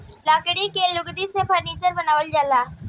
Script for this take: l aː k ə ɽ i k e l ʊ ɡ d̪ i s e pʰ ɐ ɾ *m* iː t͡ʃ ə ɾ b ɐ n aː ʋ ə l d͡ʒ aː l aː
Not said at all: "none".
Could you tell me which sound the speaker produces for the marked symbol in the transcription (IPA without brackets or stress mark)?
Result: n